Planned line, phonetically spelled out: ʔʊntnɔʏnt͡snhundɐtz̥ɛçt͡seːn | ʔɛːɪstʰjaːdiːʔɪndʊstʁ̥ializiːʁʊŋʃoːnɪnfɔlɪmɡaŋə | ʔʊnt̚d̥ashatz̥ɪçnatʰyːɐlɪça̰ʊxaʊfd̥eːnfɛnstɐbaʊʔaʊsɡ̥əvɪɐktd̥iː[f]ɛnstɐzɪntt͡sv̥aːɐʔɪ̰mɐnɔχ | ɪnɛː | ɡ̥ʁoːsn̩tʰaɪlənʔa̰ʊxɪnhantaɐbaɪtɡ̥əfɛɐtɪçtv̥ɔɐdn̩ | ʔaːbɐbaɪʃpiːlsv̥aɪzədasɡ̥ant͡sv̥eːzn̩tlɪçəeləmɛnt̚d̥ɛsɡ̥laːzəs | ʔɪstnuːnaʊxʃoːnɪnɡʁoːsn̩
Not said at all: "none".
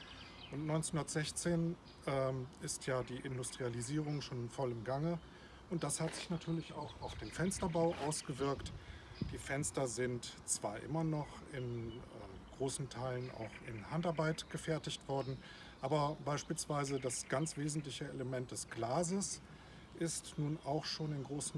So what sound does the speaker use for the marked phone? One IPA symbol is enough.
f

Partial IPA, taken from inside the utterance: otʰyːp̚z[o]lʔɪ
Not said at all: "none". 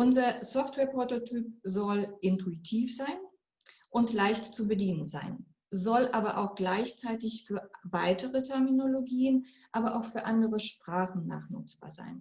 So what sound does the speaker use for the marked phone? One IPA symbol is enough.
ɔ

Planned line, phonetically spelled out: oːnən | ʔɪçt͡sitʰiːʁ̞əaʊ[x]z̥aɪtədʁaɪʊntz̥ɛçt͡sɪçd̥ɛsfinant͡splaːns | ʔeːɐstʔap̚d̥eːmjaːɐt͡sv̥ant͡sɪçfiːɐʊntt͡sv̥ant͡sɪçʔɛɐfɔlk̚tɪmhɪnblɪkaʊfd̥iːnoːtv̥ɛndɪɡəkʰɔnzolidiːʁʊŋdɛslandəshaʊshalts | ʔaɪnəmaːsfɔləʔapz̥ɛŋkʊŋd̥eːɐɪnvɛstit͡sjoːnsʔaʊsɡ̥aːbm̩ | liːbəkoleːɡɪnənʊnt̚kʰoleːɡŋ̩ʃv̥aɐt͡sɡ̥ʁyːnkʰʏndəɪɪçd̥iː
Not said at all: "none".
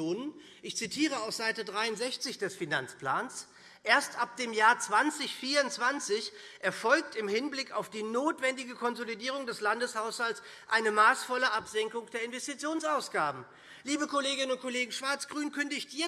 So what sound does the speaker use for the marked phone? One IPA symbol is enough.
f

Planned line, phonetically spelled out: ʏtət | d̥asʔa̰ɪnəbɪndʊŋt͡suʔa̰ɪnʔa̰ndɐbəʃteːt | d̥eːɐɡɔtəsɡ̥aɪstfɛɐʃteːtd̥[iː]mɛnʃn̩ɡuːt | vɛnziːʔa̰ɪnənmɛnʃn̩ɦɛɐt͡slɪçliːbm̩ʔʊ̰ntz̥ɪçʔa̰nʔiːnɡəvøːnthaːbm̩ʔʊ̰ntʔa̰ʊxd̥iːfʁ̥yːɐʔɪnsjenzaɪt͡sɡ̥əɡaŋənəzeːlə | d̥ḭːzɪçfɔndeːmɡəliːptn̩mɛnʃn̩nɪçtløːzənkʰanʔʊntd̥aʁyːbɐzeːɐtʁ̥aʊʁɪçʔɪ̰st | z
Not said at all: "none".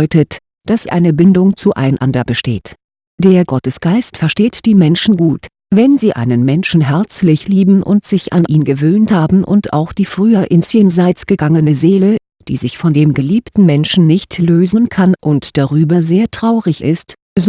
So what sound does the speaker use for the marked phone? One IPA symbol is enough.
iː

